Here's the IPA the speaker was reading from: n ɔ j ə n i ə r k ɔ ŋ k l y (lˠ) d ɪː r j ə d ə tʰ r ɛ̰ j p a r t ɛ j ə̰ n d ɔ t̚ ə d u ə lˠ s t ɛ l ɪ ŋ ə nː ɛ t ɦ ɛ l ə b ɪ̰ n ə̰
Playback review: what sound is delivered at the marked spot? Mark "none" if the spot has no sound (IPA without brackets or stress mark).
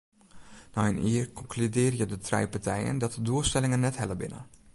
none